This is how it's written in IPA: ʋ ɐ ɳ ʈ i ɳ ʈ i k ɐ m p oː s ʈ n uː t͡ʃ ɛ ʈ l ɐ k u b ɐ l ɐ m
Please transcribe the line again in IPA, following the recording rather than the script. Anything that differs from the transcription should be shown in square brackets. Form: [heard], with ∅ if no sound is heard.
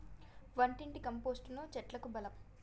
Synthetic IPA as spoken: ʋ ɐ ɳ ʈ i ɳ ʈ i k ɐ m p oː s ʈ n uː t͡ʃ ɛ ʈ l ɐ k u b ɐ l ɐ m